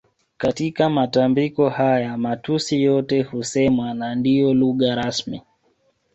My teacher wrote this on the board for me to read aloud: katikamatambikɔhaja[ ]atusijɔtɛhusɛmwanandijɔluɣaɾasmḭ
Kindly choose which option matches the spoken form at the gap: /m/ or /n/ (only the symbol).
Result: m